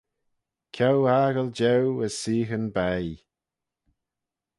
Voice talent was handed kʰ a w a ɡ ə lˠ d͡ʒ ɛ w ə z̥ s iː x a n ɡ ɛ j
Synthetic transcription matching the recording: kʰ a w a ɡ ə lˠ d͡ʒ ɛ w ə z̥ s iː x ə n b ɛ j